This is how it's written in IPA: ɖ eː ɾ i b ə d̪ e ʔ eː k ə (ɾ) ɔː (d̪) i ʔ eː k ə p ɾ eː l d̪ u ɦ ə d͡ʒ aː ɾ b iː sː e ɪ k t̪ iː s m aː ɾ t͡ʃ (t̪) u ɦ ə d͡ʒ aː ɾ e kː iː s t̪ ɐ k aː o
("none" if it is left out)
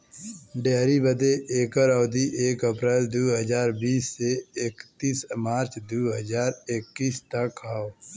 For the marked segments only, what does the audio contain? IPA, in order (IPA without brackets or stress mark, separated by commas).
ɾ, d̪, d̪